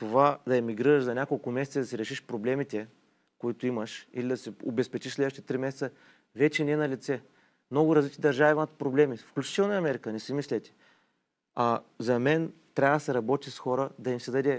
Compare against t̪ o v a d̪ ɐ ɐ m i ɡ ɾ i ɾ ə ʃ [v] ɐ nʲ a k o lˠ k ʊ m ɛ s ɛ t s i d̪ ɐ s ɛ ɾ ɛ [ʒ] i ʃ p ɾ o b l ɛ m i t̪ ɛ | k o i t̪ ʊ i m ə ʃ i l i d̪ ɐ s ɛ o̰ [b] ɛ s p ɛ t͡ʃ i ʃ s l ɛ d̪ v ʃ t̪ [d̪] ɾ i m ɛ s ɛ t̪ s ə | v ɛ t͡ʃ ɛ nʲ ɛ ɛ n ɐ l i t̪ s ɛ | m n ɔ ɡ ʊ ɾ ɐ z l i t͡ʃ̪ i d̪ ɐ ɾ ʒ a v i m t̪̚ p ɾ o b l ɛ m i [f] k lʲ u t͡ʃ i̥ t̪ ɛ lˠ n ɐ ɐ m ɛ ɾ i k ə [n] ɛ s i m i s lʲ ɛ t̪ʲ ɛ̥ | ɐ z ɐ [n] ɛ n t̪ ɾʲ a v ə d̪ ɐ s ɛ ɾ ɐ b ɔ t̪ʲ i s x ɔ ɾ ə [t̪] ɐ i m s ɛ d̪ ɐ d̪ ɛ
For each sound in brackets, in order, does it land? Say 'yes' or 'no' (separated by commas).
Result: no, no, yes, no, yes, yes, no, no